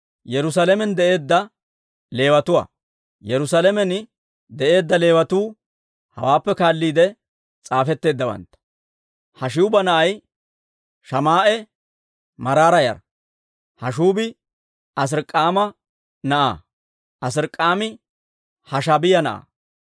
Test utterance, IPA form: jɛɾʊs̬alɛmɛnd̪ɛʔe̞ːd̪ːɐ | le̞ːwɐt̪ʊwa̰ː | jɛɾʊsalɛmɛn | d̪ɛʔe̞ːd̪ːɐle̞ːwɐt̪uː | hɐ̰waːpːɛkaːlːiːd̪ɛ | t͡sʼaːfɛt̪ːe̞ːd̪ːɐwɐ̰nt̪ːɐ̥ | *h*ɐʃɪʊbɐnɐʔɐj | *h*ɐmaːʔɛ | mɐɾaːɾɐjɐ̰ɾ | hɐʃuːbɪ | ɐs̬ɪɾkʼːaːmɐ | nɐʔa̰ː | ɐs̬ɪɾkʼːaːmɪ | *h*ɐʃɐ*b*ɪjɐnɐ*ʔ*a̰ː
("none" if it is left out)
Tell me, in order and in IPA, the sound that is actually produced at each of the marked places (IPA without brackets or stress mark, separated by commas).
h, ʃ, h, b, ʔ